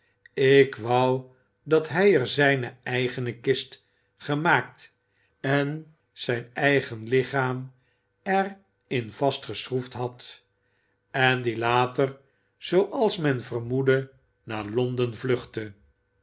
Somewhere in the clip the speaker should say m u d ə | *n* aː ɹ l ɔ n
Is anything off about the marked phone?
no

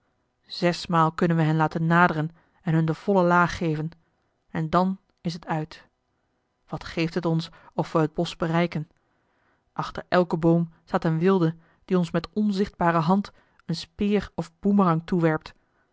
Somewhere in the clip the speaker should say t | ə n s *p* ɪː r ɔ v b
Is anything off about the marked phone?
no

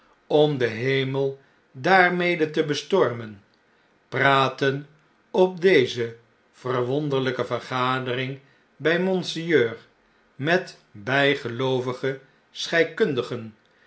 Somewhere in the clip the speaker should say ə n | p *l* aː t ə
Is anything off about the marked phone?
yes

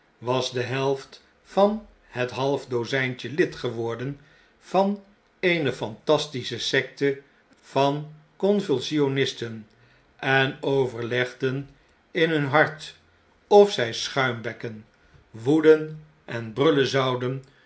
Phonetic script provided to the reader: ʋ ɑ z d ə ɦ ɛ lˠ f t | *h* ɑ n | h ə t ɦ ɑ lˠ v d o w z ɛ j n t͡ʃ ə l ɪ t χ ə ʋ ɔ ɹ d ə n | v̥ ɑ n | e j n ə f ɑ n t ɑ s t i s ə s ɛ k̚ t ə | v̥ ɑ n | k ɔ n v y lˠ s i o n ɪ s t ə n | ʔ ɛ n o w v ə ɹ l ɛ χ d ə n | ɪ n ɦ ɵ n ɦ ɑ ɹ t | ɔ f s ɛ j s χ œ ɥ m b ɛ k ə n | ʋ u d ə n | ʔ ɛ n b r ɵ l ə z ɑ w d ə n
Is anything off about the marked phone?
yes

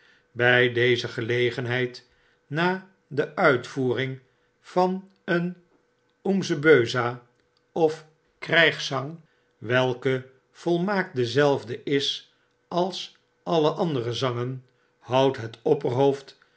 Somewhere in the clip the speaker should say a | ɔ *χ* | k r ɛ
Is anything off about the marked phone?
yes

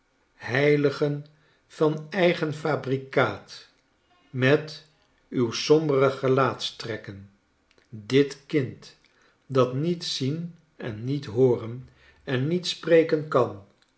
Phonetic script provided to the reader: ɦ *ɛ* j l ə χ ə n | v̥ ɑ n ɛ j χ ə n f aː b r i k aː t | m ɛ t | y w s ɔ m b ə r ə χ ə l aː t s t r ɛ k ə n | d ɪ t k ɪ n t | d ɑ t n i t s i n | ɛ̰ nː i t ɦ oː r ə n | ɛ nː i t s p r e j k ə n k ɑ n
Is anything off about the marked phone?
no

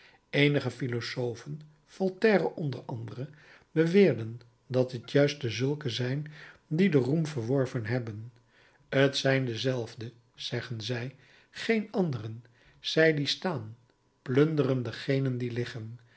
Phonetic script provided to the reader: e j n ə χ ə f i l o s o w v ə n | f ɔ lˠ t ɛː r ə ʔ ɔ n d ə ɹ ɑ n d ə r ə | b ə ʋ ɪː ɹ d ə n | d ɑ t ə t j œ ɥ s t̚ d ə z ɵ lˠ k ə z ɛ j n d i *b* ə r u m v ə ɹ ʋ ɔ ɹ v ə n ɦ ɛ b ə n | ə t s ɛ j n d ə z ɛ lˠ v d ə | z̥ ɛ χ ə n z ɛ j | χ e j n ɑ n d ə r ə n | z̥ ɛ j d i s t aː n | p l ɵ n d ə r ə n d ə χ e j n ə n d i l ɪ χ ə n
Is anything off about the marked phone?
yes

